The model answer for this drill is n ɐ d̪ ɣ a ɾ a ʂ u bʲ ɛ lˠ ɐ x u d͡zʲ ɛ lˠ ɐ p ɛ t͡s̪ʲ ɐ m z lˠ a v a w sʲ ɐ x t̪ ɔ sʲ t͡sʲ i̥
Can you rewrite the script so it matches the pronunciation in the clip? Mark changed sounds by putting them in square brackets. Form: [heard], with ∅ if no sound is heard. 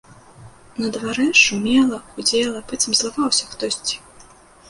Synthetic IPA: n ɐ d̪ [v] a ɾ [ɛ] ʂ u [mʲ] ɛ lˠ ɐ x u d͡zʲ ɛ lˠ ɐ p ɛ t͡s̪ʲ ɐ m z lˠ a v a w sʲ ɐ x t̪ ɔ sʲ t͡sʲ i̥